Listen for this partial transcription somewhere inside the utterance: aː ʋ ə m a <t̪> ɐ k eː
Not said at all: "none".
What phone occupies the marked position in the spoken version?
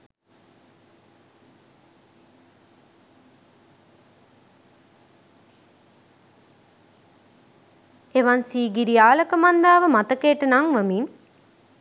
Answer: t̪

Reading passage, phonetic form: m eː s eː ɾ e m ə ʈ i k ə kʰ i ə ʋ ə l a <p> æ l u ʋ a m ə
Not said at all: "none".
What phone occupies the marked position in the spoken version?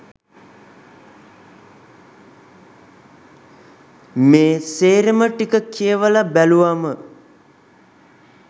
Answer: b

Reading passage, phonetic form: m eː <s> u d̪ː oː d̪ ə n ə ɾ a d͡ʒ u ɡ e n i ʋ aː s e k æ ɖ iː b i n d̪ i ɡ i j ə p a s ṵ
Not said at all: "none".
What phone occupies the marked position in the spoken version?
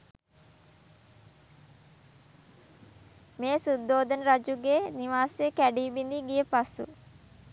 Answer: s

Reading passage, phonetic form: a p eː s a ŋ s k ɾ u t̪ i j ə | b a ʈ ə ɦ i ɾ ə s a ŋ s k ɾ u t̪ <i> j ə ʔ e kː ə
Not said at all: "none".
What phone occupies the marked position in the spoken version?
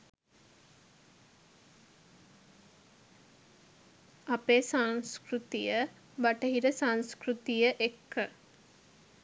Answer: i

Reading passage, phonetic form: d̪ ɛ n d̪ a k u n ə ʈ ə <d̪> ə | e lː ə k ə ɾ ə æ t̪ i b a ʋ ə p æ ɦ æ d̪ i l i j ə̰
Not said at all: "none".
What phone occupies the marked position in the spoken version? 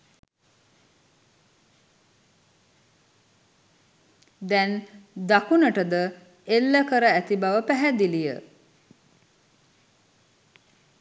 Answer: d̪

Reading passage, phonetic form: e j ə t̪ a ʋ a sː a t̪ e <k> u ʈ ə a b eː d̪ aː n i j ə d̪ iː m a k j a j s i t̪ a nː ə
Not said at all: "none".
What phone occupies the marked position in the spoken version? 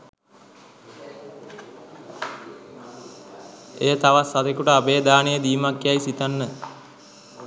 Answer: k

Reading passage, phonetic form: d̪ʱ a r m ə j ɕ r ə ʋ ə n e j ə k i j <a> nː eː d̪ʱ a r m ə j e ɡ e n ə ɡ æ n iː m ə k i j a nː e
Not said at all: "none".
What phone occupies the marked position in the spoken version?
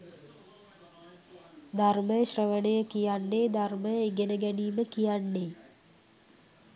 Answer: a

